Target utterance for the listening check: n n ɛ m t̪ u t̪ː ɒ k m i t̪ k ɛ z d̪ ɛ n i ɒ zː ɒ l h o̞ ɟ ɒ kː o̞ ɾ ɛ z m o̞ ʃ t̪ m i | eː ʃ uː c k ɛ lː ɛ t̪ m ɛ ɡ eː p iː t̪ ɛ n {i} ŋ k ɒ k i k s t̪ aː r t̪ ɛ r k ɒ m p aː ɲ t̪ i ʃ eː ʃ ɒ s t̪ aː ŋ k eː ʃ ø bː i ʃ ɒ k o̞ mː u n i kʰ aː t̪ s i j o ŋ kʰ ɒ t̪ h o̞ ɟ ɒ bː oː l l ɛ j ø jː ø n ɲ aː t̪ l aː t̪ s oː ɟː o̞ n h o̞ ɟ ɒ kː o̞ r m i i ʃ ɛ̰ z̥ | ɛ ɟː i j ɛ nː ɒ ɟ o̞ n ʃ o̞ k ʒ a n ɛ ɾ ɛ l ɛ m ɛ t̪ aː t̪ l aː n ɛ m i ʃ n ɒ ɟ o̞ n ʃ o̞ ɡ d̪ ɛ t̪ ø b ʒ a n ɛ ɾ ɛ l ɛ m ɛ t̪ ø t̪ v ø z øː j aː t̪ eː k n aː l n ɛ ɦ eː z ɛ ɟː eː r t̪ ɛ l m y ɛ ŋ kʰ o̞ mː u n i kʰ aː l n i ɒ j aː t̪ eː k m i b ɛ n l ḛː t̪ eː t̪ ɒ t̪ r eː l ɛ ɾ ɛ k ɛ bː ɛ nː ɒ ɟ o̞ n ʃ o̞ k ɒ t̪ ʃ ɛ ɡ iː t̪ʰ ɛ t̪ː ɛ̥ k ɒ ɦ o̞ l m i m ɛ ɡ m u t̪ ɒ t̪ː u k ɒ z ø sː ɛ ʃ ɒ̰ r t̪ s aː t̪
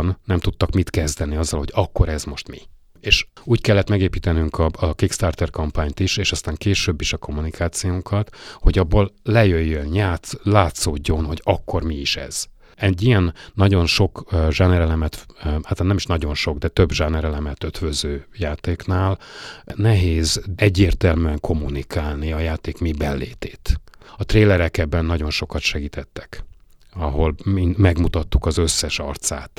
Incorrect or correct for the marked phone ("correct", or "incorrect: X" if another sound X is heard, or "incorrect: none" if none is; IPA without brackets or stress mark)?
incorrect: y